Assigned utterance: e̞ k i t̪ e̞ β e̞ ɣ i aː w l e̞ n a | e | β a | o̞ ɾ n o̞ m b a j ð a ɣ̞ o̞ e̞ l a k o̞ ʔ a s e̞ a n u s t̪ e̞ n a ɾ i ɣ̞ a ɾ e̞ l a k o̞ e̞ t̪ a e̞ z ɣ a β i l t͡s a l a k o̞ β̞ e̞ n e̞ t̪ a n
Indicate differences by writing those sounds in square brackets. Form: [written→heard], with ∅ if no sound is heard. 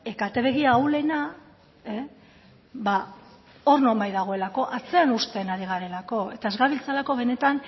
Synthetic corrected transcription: e̞ k [i→a] t̪ e̞ β e̞ ɣ i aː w l e̞ n a | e | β a | o̞ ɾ n o̞ m b a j ð a ɣ̞ o̞ e̞ l a k o̞ ʔ a [s→t͡s] e̞ a n u s t̪ e̞ n a ɾ i ɣ̞ a ɾ e̞ l a k o̞ e̞ t̪ a e̞ z ɣ a β i l t͡s a l a k o̞ β̞ e̞ n e̞ t̪ a n

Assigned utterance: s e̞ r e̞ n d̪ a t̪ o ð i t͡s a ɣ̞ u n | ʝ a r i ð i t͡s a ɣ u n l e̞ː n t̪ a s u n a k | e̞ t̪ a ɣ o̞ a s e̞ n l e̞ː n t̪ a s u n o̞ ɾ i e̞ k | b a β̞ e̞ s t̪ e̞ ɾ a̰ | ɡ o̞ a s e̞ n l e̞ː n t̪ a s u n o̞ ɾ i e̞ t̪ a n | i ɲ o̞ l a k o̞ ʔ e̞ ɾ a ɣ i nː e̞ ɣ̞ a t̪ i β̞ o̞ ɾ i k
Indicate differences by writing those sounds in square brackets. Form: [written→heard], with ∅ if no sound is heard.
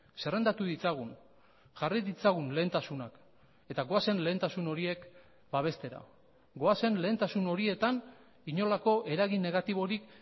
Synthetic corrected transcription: s e̞ r e̞ n d̪ a t̪ [o→u] ð i t͡s a ɣ̞ u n | ʝ a r i ð i t͡s a ɣ u n l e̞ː n t̪ a s u n a k | e̞ t̪ a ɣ o̞ a s e̞ n l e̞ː n t̪ a s u n o̞ ɾ i e̞ k | b a β̞ e̞ s t̪ e̞ ɾ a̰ | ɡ o̞ a s e̞ n l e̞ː n t̪ a s u n o̞ ɾ i e̞ t̪ a n | i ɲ o̞ l a k o̞ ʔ e̞ ɾ a ɣ i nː e̞ ɣ̞ a t̪ i β̞ o̞ ɾ i k

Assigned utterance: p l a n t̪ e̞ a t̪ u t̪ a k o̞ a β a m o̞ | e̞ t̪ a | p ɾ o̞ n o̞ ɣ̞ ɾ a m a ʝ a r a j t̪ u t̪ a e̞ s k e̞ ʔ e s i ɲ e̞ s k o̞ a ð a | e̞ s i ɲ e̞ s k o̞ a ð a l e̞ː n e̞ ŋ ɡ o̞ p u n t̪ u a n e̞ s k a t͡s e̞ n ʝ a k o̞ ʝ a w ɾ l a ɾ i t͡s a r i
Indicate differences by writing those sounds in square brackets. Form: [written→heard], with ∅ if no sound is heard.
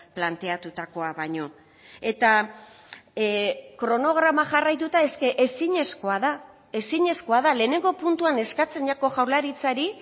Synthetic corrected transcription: p l a n t̪ e̞ a t̪ u t̪ a k o̞ a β a [m→ɲ] o̞ | e̞ t̪ a | [p→k] ɾ o̞ n o̞ ɣ̞ ɾ a m a ʝ a r a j t̪ u t̪ a e̞ s k e̞ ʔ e s i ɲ e̞ s k o̞ a ð a | e̞ s i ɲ e̞ s k o̞ a ð a l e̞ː n e̞ ŋ ɡ o̞ p u n t̪ u a n e̞ s k a t͡s e̞ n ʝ a k o̞ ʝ a w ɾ l a ɾ i t͡s a [r→ɾ] i

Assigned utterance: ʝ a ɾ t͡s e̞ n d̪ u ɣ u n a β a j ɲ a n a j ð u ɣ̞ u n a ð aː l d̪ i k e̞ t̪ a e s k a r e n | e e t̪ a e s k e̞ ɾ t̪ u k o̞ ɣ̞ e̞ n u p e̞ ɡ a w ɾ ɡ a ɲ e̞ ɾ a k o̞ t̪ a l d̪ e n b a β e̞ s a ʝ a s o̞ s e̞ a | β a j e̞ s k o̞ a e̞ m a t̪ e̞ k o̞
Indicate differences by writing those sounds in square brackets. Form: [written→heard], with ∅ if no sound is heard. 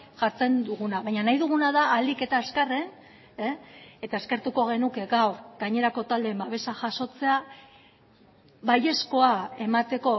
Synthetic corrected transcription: ʝ a ɾ t͡s e̞ n d̪ u ɣ u n a β a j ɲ a n a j ð u ɣ̞ u n a ð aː l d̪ i k e̞ t̪ a e s k a r e n | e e t̪ a e s k e̞ ɾ t̪ u k o̞ ɣ̞ e̞ n u [p→k] e̞ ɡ a w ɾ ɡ a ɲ e̞ ɾ a k o̞ t̪ a l d̪ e [n→m] b a β e̞ s a ʝ a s o̞ [s→t͡s] e̞ a | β a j e̞ s k o̞ a e̞ m a t̪ e̞ k o̞

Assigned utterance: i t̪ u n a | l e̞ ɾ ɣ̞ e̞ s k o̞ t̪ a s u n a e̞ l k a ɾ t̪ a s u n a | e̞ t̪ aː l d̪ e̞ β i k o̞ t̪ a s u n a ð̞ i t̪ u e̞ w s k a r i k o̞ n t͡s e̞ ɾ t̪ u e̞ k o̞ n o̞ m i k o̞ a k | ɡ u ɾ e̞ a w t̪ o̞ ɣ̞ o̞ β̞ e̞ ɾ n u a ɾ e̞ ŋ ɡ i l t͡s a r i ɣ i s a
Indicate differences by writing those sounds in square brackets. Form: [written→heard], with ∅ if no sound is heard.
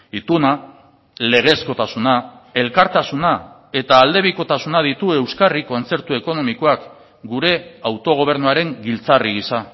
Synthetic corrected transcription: i t̪ u n a | l e̞ [ɾ→∅] ɣ̞ e̞ s k o̞ t̪ a s u n a e̞ l k a ɾ t̪ a s u n a | e̞ t̪ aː l d̪ e̞ β i k o̞ t̪ a s u n a ð̞ i t̪ u e̞ w s k a r i k o̞ n t͡s e̞ ɾ t̪ u e̞ k o̞ n o̞ m i k o̞ a k | ɡ u ɾ e̞ a w t̪ o̞ ɣ̞ o̞ β̞ e̞ ɾ n u a ɾ e̞ ŋ ɡ i l t͡s a r i ɣ i s a

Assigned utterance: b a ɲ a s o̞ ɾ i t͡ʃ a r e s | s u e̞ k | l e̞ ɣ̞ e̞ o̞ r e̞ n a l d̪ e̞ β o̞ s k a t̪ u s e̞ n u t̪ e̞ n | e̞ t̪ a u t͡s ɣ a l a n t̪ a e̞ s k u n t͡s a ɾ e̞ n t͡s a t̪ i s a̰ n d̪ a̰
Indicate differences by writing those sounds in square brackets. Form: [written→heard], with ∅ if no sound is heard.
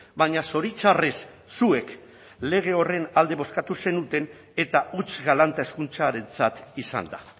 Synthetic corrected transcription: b a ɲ a s o̞ ɾ i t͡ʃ a r e s | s u e̞ k | l e̞ ɣ̞ e̞ o̞ r e̞ n a l d̪ e̞ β o̞ s k a t̪ u s e̞ n u t̪ e̞ n | e̞ t̪ a u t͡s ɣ a l a n t̪ a e̞ s k u n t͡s a ɾ e̞ n t͡s a t̪ i s a̰ n d̪ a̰

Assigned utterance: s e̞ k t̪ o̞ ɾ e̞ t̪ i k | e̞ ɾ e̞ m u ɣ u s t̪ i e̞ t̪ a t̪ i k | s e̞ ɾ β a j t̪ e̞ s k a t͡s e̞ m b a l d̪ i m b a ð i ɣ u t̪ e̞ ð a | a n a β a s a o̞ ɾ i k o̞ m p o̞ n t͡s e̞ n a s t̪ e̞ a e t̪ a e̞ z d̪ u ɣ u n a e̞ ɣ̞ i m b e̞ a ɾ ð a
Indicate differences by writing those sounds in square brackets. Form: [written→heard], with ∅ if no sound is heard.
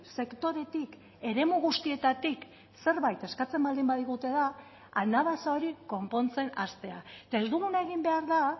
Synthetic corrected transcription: s e̞ k t̪ o̞ ɾ e̞ t̪ i k | e̞ ɾ e̞ m u ɣ u s t̪ i e̞ t̪ a t̪ i k | s e̞ ɾ β a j t̪ e̞ s k a t͡s e̞ m b a l d̪ i m b a ð i ɣ u t̪ e̞ ð a | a n a β a s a o̞ ɾ i k o̞ m p o̞ n t͡s e̞ n a s t̪ e̞ a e t̪ a e̞ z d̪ u ɣ u n a e̞ ɣ̞ i m b e̞ a ɾ ð a

